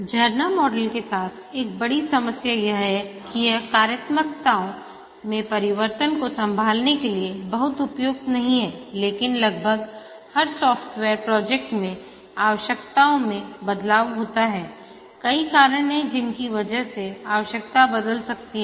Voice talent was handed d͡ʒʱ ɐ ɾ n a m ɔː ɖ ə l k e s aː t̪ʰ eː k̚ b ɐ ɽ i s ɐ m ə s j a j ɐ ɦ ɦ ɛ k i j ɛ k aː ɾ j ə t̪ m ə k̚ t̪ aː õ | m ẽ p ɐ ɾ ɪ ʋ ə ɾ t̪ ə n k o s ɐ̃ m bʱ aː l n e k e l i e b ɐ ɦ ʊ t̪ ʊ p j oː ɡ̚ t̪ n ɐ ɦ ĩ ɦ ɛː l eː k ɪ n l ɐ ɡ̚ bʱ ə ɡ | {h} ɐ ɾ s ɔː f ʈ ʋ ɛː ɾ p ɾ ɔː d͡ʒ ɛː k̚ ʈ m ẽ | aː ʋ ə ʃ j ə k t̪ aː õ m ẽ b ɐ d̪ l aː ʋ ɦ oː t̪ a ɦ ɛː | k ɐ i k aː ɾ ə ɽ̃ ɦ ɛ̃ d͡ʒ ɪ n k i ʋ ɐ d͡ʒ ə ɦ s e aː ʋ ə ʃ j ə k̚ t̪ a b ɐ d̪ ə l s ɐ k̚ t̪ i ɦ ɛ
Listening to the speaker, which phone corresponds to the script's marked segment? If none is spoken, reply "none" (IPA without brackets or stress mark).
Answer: h